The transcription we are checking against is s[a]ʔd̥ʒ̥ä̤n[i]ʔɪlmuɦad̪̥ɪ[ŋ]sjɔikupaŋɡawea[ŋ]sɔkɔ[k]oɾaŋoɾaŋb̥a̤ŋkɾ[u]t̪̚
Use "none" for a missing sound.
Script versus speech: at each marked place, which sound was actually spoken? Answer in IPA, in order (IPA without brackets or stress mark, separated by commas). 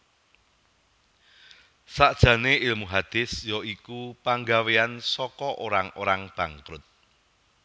a, e, none, n, ʔ, ʊ